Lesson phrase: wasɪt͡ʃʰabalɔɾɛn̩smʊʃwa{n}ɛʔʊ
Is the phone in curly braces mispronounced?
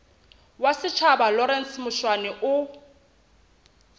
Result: no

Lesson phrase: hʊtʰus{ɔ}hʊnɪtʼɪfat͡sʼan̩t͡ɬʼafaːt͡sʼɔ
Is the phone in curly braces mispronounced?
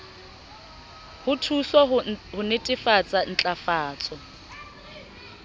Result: no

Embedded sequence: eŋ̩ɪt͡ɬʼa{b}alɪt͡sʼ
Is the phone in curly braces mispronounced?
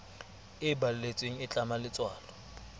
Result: yes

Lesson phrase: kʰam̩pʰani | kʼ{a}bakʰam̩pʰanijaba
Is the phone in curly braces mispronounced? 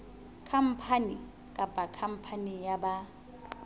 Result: no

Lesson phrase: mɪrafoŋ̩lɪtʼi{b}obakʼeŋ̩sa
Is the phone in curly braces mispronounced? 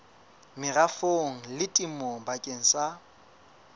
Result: yes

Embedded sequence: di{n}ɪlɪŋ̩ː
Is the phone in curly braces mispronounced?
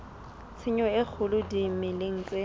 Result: yes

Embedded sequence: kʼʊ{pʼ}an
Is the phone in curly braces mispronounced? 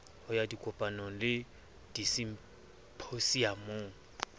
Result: no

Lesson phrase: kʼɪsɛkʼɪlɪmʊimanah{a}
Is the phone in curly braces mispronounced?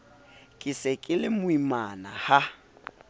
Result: no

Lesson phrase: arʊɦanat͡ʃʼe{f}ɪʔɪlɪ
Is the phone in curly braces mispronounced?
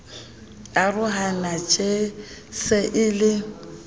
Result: yes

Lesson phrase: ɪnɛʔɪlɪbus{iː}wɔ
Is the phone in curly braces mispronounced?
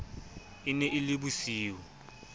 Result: no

